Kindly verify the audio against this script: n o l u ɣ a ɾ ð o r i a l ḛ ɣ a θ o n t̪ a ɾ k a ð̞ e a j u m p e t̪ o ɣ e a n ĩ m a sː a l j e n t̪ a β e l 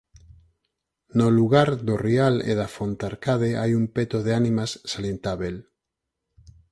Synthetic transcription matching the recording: n o l u ɣ a ɾ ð o r i a l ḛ ð a f o n t̪ a ɾ k a ð̞ e a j u m p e t̪ o ð e a n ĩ m a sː a l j e n t̪ a β e l